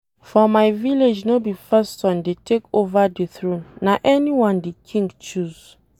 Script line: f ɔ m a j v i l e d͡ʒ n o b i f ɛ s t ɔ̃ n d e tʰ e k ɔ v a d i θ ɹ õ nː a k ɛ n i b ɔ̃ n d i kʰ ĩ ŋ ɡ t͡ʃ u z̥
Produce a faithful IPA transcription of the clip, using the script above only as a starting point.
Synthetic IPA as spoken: f ɔ m a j v i l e d͡ʒ n o b i f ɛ s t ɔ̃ n d e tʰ e k o v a d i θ ɹ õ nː a ʔ ɛ n i w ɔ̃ n d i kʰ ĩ ŋ ɡ t͡ʃ u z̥